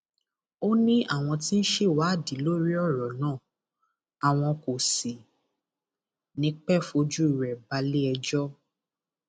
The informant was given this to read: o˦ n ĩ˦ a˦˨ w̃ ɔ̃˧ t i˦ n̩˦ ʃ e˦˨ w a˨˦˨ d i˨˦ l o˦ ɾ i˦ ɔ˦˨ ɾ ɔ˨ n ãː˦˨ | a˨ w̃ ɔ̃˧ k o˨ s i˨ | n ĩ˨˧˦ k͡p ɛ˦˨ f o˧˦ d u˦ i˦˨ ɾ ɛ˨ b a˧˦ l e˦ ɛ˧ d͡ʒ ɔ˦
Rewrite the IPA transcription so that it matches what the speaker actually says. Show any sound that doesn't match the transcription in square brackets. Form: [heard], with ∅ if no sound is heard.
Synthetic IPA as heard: o˦ n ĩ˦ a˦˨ w̃ ɔ̃˧ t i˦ n̩˦ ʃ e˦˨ w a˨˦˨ d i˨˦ l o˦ ɾ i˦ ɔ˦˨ ɾ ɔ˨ n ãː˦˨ | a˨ w̃ ɔ̃˧ k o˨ s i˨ | n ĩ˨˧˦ k͡p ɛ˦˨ f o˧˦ [d͡ʒ] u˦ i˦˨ ɾ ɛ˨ b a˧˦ l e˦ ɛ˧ d͡ʒ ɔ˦